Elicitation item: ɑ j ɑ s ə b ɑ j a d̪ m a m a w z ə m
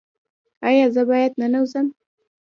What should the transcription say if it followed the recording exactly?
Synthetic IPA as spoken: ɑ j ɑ z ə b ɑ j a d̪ n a n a w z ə m